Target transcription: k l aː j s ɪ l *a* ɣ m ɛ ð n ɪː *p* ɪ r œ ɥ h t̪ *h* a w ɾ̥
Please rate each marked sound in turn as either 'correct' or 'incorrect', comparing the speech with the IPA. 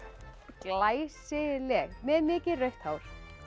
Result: incorrect, incorrect, correct

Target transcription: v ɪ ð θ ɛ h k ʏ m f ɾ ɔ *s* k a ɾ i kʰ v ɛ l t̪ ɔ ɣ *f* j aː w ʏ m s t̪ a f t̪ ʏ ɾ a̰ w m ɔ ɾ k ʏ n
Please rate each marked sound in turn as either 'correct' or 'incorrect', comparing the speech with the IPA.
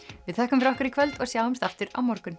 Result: incorrect, incorrect

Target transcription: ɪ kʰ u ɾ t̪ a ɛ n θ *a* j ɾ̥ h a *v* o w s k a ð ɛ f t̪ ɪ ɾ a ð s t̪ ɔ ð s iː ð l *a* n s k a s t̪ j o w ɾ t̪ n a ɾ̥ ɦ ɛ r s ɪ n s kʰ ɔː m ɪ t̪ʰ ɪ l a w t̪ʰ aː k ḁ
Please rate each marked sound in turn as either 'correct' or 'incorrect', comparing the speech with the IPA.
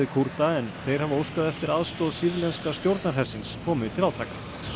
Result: incorrect, correct, incorrect

